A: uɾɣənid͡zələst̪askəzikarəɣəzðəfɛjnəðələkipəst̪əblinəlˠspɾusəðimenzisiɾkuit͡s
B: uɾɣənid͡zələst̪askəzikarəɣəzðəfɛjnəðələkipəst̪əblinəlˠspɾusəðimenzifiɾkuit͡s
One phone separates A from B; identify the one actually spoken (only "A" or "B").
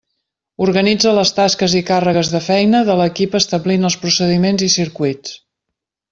A